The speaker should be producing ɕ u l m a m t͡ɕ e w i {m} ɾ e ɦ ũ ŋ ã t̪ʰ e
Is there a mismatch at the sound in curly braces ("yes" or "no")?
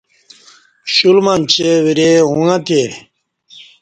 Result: yes